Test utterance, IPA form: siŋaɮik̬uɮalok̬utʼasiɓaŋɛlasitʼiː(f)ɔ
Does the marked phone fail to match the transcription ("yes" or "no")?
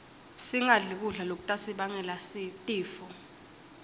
no